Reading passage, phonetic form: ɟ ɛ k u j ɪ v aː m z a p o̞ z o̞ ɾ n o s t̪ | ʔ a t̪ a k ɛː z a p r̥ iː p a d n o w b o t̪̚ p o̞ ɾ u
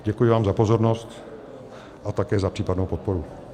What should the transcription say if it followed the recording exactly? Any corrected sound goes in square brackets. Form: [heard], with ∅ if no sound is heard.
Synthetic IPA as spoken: ɟ ɛ k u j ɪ v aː m z a p o̞ z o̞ ɾ n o s t̪ | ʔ a t̪ a k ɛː z a p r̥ iː p a d n o w [p] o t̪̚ p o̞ ɾ u